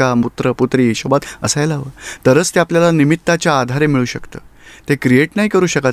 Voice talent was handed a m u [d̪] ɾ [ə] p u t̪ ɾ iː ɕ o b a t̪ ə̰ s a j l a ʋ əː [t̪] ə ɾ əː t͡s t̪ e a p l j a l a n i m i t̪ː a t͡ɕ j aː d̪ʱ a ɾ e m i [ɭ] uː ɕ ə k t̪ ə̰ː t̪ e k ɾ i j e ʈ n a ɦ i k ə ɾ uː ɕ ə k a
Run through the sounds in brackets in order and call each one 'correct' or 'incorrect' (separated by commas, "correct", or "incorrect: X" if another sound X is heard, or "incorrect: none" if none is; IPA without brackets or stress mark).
incorrect: t̪, correct, correct, correct